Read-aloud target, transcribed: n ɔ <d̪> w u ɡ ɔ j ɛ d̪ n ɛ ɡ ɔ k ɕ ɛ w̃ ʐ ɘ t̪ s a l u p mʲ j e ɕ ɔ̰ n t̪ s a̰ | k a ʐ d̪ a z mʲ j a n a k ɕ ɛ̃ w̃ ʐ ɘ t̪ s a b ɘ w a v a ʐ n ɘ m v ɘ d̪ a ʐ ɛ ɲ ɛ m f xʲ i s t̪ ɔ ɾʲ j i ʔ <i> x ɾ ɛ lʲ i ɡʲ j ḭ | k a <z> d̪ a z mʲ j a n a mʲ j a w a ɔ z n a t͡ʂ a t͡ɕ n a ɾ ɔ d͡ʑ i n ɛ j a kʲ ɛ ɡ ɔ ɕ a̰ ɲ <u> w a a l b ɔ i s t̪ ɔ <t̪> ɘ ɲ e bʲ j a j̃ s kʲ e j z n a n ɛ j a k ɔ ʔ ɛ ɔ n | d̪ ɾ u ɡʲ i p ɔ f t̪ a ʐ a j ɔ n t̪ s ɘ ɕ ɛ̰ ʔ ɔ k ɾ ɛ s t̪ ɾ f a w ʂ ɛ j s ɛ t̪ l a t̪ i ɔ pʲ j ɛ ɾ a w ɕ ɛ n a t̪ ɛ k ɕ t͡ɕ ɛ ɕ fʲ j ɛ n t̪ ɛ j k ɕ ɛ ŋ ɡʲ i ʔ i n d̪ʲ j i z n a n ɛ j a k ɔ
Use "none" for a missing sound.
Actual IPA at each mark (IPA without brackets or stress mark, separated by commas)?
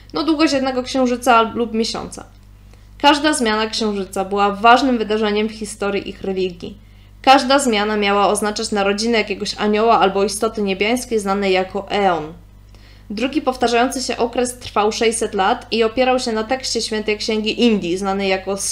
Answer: d̪, i, ʐ, ɔ, t̪